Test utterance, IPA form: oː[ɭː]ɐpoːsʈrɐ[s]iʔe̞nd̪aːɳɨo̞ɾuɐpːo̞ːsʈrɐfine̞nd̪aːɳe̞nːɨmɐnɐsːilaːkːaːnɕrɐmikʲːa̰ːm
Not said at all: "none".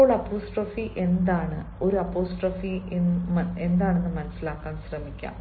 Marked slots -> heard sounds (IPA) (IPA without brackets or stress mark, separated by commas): ɭ, f